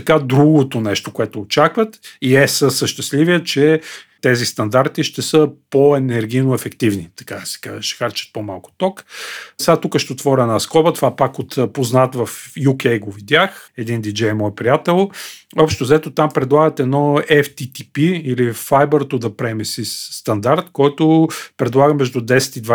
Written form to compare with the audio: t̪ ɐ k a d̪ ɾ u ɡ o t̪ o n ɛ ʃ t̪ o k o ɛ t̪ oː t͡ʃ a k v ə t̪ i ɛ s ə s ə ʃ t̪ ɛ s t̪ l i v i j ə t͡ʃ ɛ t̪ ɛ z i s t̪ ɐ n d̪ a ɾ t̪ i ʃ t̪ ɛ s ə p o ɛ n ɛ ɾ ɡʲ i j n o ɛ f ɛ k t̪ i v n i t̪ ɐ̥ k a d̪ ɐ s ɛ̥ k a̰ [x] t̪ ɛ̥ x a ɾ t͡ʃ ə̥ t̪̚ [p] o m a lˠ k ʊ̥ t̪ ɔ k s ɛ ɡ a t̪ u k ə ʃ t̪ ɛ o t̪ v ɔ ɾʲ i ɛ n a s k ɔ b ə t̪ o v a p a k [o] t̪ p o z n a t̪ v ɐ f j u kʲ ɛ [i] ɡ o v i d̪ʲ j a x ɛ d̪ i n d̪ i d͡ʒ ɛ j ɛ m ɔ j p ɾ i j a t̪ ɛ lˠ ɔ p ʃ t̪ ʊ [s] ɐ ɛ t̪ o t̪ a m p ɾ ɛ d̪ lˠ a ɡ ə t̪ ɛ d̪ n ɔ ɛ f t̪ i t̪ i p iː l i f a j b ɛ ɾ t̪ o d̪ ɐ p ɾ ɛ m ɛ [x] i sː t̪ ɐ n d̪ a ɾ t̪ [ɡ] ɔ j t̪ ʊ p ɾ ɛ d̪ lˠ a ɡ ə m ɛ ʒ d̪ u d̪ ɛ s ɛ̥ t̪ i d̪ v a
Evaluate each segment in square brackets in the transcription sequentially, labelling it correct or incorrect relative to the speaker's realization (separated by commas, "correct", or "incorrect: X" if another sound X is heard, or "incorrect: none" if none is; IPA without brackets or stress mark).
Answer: incorrect: ʃ, correct, correct, incorrect: j, incorrect: z, incorrect: s, incorrect: k